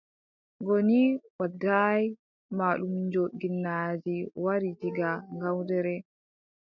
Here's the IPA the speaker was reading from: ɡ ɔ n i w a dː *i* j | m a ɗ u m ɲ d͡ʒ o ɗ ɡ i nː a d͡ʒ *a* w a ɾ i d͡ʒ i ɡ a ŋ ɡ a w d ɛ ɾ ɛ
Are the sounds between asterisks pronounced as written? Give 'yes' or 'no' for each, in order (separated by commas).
no, no